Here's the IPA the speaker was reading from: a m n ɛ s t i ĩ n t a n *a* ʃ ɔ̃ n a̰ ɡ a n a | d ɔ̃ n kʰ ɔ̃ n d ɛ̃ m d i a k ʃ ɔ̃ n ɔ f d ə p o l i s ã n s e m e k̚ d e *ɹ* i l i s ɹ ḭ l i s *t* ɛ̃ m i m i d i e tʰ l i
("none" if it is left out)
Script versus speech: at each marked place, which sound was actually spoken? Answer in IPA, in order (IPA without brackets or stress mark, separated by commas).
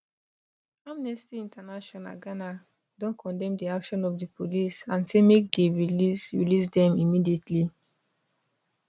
a, ɹ, d